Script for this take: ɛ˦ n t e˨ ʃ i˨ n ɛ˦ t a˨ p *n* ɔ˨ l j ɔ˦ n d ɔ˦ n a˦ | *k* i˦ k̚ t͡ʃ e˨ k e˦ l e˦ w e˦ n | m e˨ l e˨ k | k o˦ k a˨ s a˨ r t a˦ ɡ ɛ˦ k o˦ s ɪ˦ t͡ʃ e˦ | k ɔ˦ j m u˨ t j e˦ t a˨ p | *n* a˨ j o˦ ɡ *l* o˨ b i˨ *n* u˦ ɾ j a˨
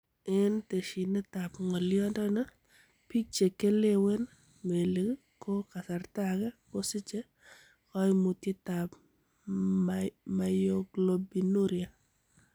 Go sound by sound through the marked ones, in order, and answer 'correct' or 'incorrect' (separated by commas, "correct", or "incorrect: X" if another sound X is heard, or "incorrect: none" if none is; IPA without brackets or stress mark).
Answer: incorrect: ŋ, incorrect: p, incorrect: m, correct, correct